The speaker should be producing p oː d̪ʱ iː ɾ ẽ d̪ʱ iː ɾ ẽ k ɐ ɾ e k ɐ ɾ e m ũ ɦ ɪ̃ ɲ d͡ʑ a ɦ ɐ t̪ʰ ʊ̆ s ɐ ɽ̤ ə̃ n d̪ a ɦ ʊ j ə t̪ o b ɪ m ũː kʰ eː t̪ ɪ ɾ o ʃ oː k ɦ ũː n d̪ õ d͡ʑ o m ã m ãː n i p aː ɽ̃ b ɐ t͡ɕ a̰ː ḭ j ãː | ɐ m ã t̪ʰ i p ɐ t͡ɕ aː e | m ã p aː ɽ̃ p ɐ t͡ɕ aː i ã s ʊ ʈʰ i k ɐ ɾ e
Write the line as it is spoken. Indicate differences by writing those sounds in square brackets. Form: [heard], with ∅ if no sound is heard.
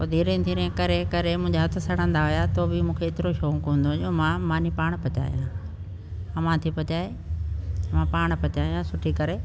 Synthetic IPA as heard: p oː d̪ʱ iː ɾ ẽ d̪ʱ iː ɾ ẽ k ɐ ɾ e k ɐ ɾ e m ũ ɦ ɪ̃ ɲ d͡ʑ a ɦ ɐ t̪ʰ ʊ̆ s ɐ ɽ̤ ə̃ n d̪ a ɦ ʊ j [a] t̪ o b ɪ m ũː kʰ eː t̪ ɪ ɾ o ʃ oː k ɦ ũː n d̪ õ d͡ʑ o m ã m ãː n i p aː ɽ̃ [p] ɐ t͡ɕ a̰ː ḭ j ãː | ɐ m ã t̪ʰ i p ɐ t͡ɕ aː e | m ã p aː ɽ̃ p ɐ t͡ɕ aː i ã s ʊ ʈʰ i k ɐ ɾ e